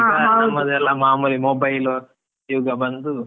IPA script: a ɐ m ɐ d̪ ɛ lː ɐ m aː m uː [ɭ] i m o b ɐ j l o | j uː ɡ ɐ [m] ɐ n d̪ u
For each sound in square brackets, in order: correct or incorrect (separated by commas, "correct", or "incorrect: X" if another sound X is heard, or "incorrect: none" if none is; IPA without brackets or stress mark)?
incorrect: l, incorrect: b